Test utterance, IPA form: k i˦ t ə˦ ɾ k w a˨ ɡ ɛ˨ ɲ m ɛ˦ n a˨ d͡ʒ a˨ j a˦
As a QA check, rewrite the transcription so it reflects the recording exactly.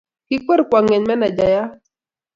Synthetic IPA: k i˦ k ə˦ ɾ k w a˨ ŋ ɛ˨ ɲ m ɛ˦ n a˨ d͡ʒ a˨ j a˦